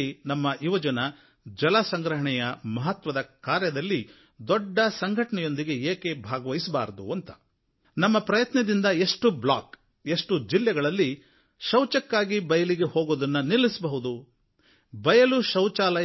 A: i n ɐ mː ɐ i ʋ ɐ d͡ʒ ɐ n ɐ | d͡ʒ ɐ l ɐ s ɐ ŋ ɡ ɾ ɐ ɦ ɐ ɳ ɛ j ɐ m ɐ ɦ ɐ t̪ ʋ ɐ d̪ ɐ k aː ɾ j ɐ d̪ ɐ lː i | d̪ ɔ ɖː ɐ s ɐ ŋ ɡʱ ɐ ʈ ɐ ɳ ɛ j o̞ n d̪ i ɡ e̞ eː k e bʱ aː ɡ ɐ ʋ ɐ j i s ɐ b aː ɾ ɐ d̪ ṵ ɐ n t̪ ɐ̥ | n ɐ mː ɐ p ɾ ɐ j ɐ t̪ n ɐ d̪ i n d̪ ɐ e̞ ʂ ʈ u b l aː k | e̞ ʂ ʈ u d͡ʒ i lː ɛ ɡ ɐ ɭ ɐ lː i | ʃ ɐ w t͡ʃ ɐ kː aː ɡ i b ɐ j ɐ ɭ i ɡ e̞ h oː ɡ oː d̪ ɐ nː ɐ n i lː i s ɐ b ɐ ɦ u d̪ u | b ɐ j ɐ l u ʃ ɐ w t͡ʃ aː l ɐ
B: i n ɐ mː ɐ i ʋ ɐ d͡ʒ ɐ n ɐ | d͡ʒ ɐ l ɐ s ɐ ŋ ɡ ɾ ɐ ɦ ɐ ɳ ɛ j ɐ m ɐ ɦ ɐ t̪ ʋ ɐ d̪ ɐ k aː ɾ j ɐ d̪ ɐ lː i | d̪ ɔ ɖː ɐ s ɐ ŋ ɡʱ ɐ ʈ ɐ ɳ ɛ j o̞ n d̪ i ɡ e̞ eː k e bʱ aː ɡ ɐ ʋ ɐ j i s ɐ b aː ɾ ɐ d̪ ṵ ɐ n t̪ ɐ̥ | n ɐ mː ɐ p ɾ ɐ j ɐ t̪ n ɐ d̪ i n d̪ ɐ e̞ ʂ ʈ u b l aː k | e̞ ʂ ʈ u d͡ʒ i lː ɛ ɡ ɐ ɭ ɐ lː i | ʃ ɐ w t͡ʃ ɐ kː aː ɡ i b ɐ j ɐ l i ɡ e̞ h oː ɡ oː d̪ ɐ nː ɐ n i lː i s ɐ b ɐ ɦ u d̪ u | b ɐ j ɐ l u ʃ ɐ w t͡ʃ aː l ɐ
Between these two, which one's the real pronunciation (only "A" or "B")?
B